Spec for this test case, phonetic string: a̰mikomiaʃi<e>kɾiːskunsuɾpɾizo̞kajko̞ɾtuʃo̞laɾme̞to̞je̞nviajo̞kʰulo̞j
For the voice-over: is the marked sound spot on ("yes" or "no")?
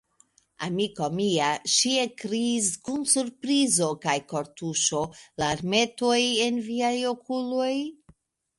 yes